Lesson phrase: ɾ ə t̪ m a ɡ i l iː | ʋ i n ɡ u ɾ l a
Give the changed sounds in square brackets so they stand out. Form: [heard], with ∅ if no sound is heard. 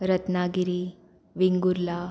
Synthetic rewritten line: ɾ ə t̪ [n] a ɡ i [ɾ] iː | ʋ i [ŋ] ɡ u ɾ l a